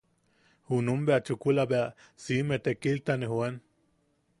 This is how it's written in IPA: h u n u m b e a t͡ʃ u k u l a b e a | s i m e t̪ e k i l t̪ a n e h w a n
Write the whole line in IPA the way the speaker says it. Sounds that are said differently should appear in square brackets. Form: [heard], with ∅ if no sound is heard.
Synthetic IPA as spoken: h u n u m b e a t͡ʃ u k u l a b e a | s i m e t̪ e k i l t̪ a n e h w [e] n